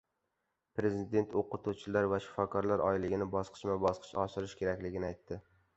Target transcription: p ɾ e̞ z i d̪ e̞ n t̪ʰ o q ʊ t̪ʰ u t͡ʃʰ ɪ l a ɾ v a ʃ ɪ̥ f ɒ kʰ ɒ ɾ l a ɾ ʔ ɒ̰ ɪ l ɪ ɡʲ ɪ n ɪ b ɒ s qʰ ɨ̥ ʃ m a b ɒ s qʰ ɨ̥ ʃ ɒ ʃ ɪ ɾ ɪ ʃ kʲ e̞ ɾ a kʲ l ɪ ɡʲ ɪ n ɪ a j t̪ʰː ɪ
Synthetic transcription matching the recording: p ɾ e̞ z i d̪ e̞ n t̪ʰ o q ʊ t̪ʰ u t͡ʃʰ ɪ l a ɾ v a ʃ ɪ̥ f ɒ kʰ ɒ ɾ l a ɾ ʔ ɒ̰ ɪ l ɪ ɡʲ ɪ n ɪ b ɒ s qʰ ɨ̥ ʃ m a b ɒ s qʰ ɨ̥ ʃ ɒ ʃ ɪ ɾ ɪ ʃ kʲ e̞ ɾ a kʲ l ɪ ɡʲ ɪ n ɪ a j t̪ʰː ɪ

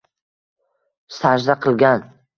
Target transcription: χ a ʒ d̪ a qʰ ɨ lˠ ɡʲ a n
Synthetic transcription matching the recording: s a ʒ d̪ a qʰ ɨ lˠ ɡʲ a n

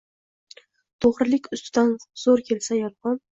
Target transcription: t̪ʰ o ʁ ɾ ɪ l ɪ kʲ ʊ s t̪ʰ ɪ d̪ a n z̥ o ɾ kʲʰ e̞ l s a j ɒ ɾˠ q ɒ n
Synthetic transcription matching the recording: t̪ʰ o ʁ ɾ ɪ l ɪ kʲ ʊ s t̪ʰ ɪ d̪ a n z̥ o ɾ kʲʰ e̞ l s a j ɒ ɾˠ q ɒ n

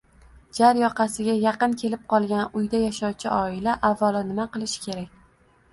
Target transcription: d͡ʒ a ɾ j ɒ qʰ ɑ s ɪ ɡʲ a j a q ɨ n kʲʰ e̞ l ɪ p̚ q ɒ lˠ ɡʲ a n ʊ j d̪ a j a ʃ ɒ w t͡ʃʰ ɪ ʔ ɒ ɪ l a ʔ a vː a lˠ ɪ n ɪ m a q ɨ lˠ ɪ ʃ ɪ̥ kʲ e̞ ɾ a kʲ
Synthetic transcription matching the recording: d͡ʒ a ɾ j ɒ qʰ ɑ s ɪ ɡʲ a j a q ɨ n kʲʰ e̞ l ɪ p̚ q ɒ lˠ ɡʲ a n ʊ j d̪ a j a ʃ ɒ w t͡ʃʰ ɪ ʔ ɒ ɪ l a ʔ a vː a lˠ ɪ n ɪ m a q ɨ lˠ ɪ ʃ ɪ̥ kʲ e̞ ɾ a kʲ

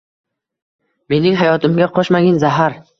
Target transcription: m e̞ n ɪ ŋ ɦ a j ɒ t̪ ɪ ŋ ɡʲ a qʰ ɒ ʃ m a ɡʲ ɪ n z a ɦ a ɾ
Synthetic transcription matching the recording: m e̞ n ɪ ŋ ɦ a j ɒ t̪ ɪ m ɡʲ a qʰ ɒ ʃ m a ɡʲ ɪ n z a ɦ a ɾ

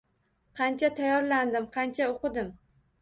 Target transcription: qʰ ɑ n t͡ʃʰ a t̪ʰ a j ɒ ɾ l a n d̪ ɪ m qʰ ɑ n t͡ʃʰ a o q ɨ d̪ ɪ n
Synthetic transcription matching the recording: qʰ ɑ n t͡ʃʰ a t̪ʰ a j ɒ ɾ l a n d̪ ɪ m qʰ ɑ n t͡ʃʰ a o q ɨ d̪ ɪ m

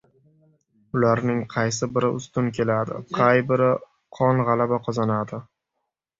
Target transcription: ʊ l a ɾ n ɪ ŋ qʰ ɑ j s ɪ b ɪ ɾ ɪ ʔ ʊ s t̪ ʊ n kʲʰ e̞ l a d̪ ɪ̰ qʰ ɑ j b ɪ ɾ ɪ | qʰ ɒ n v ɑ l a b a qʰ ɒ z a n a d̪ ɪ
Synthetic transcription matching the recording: ʊ l a ɾ n ɪ ŋ qʰ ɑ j s ɪ b ɪ ɾ ɪ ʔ ʊ s t̪ ʊ n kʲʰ e̞ l a d̪ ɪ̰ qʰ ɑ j b ɪ ɾ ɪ | qʰ ɒ n ʁ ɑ l a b a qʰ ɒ z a n a d̪ ɪ

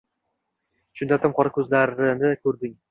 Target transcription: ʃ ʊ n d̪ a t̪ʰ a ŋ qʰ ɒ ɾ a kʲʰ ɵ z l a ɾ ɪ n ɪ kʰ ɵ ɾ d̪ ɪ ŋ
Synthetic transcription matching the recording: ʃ ʊ n d̪ a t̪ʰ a m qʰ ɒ ɾ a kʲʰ ɵ z l a ɾ ɪ n ɪ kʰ ɵ ɾ d̪ ɪ ŋ

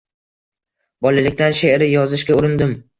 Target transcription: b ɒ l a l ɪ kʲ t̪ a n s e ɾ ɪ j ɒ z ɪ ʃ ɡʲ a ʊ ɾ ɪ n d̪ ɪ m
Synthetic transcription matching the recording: b ɒ l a l ɪ kʲ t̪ a n ʃ e ɾ ɪ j ɒ z ɪ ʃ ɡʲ a ʊ ɾ ɪ n d̪ ɪ m

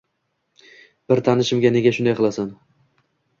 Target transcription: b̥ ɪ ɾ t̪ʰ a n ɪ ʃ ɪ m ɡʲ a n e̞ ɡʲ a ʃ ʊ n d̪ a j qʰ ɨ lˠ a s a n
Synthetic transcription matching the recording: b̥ ɪ ɾ t̪ʰ a n ɪ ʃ ɪ m ɡʲ a n e̞ ɡʲ a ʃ ʊ n d̪ a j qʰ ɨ lˠ a s a n

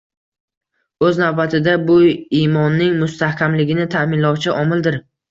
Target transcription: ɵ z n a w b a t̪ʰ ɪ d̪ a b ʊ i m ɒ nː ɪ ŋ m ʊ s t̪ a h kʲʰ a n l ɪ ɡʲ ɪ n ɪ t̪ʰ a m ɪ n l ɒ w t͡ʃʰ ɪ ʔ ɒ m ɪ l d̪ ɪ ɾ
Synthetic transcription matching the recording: ɵ z n a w b a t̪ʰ ɪ d̪ a b ʊ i m ɒ nː ɪ ŋ m ʊ s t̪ a h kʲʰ a m l ɪ ɡʲ ɪ n ɪ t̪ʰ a m ɪ n l ɒ w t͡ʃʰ ɪ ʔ ɒ m ɪ l d̪ ɪ ɾ

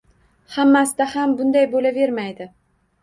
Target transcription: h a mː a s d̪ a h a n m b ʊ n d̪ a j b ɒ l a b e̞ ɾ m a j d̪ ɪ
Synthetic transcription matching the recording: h a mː a s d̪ a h a m b ʊ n d̪ a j b o l a v e̞ ɾ m a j d̪ ɪ

